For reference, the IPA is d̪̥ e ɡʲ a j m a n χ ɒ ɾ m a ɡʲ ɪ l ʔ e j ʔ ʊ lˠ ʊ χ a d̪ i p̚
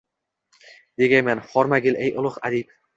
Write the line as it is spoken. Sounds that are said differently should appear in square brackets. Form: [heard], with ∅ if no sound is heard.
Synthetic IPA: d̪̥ e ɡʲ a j m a n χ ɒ ɾ m a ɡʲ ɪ l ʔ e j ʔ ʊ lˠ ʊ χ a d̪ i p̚